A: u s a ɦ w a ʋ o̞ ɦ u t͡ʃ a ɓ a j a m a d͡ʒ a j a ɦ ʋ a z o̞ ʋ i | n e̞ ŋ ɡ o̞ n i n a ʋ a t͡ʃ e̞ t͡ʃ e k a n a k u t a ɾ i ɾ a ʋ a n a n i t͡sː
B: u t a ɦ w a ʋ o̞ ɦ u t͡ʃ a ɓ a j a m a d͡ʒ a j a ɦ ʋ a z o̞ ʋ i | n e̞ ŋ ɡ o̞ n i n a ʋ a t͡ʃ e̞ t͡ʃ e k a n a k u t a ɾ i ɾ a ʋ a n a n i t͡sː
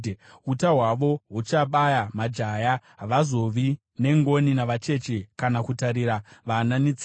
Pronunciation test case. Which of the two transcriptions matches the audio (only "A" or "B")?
B